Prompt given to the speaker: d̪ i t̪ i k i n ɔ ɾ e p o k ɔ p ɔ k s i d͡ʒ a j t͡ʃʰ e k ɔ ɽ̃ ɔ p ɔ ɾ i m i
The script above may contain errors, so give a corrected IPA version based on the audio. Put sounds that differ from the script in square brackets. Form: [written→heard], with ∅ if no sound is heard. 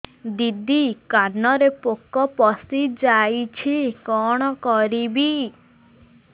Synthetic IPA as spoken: d̪ i [t̪→d̪] i k [i→a] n ɔ ɾ e p o k ɔ p ɔ [k→∅] s i d͡ʒ a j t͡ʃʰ [e→i] k ɔ ɽ̃ ɔ [p→k] ɔ ɾ i [m→b] i